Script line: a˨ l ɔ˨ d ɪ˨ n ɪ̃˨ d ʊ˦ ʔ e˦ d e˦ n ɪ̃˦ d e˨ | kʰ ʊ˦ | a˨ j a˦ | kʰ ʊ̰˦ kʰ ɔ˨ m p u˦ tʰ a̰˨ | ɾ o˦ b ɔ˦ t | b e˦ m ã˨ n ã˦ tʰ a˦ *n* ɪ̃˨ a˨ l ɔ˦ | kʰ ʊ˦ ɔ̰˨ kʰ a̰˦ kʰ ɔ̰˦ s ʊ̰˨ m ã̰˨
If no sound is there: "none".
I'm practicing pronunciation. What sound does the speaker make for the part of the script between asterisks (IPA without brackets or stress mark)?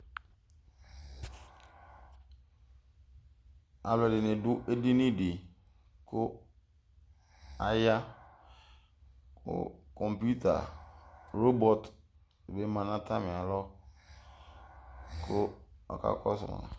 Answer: m